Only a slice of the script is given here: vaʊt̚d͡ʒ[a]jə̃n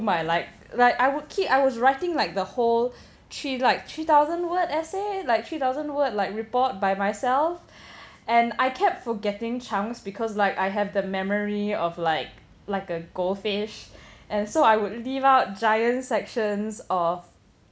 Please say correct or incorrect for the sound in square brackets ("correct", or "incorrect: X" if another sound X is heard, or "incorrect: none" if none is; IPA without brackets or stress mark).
correct